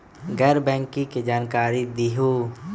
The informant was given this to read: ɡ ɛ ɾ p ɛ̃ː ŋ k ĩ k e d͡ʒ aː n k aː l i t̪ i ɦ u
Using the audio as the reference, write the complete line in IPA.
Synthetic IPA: ɡ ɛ ɾ b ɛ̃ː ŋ k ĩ k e d͡ʒ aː n k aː ɾ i d̪ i ɦ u